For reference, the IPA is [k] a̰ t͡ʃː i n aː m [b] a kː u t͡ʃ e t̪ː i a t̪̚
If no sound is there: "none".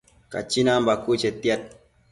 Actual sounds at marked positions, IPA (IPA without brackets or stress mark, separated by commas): k, b